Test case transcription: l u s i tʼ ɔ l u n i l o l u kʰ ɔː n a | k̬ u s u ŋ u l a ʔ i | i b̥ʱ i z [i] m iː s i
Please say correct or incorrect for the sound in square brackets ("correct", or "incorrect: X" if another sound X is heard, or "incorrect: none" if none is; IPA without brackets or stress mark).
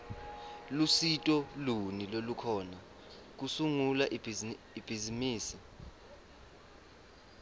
correct